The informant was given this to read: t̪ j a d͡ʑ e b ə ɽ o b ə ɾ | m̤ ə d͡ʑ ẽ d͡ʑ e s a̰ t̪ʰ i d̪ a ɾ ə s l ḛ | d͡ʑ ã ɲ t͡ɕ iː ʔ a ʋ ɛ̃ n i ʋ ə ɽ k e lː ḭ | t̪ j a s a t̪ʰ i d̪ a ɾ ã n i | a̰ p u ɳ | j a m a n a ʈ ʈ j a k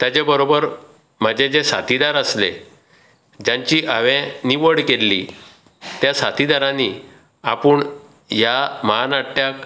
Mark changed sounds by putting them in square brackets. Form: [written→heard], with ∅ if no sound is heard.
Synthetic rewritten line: t̪ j a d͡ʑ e b ə [ɽ→ɾ] o b ə ɾ | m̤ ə d͡ʑ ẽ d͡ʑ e s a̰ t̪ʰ i d̪ a ɾ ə s l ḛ | d͡ʑ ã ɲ t͡ɕ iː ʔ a ʋ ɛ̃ n i ʋ ə ɽ k e lː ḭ | t̪ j a s a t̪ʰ i d̪ a ɾ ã n i | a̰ p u ɳ | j a m a n a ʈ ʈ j a k